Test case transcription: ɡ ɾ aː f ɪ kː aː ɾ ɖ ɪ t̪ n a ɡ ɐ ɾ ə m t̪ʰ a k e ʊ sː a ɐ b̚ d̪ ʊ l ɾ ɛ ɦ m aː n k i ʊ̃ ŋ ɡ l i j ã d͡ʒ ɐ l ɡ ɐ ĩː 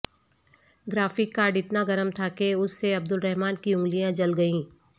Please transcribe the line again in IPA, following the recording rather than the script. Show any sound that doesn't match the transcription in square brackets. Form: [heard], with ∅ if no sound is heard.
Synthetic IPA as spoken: ɡ ɾ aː f ɪ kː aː ɾ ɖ ɪ t̪ n a ɡ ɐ ɾ ə m t̪ʰ a k e ʊ sː [e] ɐ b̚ d̪ ʊ l ɾ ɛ ɦ m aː n k i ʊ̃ ŋ ɡ l i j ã d͡ʒ ɐ l ɡ ɐ ĩː